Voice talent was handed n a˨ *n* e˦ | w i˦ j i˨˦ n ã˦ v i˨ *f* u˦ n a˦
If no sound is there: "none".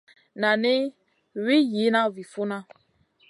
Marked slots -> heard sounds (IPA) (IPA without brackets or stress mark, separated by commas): n, f